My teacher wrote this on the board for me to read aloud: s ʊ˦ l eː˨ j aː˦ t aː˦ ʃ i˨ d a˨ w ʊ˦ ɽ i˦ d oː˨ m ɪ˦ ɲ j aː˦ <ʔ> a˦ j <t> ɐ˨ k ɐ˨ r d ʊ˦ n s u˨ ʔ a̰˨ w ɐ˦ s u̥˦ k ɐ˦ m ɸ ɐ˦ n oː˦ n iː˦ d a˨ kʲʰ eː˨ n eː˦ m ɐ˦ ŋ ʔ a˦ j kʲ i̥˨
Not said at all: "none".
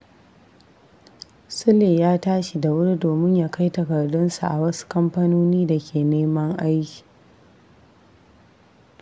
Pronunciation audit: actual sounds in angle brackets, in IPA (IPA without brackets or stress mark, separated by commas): k, t